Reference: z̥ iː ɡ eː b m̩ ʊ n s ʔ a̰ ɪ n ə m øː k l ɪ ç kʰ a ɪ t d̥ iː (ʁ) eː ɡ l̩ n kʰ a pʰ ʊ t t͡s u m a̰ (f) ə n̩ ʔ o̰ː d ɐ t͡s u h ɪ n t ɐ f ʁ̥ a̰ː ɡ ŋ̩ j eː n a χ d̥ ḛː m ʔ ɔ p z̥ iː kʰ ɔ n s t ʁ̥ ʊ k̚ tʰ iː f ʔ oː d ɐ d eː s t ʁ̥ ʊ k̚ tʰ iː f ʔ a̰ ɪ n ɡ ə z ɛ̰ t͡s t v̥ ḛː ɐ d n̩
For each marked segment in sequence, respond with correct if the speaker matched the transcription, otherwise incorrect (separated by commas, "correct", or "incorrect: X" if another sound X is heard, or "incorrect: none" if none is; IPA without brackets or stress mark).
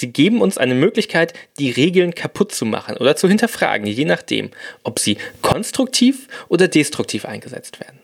correct, incorrect: χ